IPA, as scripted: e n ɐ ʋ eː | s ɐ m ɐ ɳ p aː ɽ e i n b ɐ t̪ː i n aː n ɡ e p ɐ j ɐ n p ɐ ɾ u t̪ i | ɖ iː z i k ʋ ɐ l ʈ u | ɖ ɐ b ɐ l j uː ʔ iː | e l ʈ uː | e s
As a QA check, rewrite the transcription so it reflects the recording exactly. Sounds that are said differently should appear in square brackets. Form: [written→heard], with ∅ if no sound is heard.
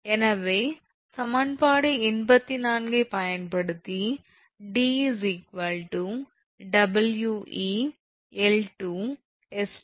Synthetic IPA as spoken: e n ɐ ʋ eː | s ɐ m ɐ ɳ p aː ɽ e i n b ɐ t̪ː i n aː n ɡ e p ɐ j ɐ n p ɐ [ɾ→ɽ] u t̪ i | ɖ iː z i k ʋ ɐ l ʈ u | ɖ ɐ b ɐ l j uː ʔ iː | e l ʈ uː | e s

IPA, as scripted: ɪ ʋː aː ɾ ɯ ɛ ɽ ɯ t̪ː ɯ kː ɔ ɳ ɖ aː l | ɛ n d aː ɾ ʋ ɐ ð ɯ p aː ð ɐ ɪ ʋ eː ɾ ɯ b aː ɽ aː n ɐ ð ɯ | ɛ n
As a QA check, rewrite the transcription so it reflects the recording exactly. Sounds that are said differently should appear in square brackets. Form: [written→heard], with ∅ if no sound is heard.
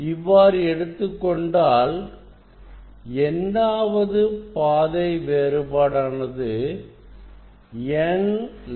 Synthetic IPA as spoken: ɪ ʋː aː ɾ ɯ ɛ ɽ ɯ t̪ː ɯ kː ɔ ɳ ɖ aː l | ɛ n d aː [ɾ→∅] ʋ ɐ ð ɯ p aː ð ɐ ɪ ʋ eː ɾ ɯ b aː ɽ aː n ɐ ð ɯ | ɛ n

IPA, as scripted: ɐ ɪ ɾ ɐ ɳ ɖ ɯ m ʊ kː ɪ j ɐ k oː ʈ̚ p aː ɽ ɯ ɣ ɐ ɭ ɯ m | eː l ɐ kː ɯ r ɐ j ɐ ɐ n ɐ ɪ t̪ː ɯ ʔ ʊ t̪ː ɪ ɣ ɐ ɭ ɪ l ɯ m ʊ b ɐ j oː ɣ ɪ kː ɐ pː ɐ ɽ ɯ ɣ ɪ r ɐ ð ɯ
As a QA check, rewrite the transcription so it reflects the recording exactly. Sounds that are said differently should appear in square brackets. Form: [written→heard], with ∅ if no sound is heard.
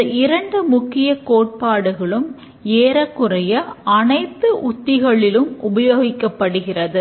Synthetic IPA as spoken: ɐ ɪ ɾ ɐ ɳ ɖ ɯ m ʊ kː ɪ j ɐ k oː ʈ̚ p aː ɽ ɯ ɣ ɐ ɭ ɯ m | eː [l→ɾ] ɐ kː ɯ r ɐ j ɐ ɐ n ɐ ɪ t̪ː ɯ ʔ ʊ t̪ː ɪ ɣ ɐ ɭ ɪ l ɯ m ʊ b ɐ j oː ɣ ɪ kː ɐ pː ɐ ɽ ɯ ɣ ɪ r ɐ ð ɯ

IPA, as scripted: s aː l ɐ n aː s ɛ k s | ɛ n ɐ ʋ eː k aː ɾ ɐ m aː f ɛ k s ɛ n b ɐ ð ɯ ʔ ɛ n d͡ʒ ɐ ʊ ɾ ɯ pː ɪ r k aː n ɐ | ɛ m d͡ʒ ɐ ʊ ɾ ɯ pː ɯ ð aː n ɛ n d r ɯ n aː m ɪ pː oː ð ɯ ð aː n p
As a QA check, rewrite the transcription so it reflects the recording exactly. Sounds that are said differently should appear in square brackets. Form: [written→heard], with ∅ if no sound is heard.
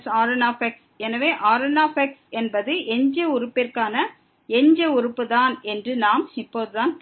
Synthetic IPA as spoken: s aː [l→ɾ] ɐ n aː [s→f] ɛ k s | ɛ n ɐ ʋ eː [k→ʔ] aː ɾ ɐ [m→n] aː f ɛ k s ɛ n b ɐ ð ɯ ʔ ɛ [n→ɲ] d͡ʒ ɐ ʊ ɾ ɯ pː ɪ r k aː n ɐ | ɛ [m→ɲ] d͡ʒ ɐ ʊ ɾ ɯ pː ɯ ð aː n ɛ n d r ɯ n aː m ɪ pː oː ð ɯ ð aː n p

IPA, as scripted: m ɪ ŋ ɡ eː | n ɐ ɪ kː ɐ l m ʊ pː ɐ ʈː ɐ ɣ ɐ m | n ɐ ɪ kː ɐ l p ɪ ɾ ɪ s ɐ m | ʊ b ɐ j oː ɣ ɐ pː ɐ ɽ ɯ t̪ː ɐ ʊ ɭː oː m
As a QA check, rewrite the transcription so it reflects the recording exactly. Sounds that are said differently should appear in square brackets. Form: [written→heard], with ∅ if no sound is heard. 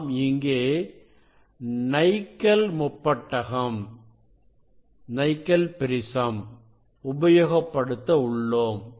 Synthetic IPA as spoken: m ɪ ŋ ɡ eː | n ɐ ɪ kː ɐ l m ʊ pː ɐ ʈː ɐ ɣ ɐ m | n ɐ ɪ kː ɐ l p ɪ ɾ ɪ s ɐ m | ʊ b ɐ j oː ɣ ɐ pː ɐ ɽ ɯ t̪ː ɐ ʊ ɭː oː m

